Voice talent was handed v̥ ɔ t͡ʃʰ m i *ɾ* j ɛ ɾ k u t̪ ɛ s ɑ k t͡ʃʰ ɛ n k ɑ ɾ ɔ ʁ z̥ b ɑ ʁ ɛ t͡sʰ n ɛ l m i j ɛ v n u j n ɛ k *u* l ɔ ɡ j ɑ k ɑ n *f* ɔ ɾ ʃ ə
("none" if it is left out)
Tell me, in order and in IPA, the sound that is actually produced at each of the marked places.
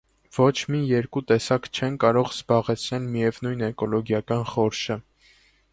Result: none, ɔ, χ

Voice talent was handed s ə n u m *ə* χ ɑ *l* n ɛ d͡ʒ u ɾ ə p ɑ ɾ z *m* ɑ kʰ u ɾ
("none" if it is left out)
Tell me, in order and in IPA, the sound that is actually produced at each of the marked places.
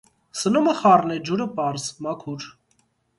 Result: ə, r, m

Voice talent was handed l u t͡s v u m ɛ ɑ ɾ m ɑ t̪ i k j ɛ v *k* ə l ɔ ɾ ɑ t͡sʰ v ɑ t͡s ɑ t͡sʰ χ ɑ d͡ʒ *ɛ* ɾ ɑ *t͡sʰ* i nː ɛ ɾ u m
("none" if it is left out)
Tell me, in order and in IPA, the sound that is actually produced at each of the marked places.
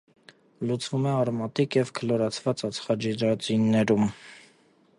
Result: kʰ, i, t͡s

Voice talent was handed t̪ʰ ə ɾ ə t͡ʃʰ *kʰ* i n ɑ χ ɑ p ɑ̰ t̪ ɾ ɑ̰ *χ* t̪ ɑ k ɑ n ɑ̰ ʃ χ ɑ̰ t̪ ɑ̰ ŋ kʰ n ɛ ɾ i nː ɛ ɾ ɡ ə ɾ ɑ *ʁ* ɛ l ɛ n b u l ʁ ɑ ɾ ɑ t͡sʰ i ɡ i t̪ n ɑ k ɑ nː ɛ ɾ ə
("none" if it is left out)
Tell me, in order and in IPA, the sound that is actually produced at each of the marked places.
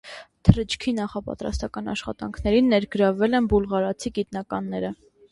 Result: kʰ, s, v

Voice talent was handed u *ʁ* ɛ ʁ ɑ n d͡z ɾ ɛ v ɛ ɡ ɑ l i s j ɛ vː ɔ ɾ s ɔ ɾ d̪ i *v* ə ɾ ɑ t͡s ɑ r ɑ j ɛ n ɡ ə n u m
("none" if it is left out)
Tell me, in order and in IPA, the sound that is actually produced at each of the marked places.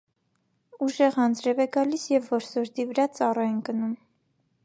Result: ʒ, v

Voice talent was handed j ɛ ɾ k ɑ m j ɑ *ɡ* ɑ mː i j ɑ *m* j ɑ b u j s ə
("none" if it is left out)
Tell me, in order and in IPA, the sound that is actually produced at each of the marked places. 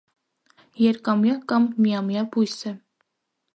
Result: k, m

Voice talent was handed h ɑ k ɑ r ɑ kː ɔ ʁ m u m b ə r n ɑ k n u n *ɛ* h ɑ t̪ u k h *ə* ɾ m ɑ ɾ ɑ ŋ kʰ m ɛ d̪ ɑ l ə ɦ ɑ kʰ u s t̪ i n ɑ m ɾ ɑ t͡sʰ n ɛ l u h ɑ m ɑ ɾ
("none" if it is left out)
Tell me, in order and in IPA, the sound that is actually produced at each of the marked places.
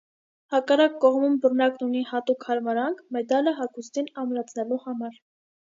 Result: i, ɑ

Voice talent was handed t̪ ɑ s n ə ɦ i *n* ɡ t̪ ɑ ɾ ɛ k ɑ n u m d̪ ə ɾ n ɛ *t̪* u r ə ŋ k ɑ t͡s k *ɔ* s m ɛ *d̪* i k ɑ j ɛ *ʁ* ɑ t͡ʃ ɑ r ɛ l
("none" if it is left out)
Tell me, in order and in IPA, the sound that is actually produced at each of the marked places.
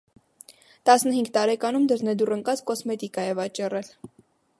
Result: ŋ, d̪, ɔ, t̪, v

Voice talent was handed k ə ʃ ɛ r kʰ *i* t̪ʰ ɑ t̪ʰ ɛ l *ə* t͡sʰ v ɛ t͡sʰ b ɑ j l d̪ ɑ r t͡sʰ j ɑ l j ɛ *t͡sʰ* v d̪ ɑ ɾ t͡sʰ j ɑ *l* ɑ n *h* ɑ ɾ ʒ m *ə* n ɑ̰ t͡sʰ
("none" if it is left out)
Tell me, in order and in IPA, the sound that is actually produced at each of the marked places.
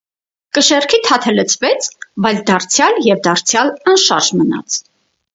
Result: i, ə, none, l, ʃ, ə

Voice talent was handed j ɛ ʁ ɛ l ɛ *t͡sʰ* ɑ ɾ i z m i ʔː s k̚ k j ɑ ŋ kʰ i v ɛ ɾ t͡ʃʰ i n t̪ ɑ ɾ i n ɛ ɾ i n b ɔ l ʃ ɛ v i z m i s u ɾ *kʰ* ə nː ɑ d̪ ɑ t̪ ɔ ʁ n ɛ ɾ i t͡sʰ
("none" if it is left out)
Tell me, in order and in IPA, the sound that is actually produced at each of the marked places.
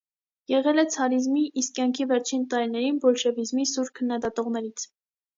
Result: t͡sʰ, kʰ

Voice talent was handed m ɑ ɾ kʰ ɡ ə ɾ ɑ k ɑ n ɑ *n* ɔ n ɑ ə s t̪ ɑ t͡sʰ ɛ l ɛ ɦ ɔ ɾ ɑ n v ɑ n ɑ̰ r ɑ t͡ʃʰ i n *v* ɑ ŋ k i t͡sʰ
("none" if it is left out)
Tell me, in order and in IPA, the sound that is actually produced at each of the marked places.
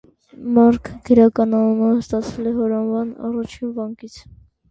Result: n, v

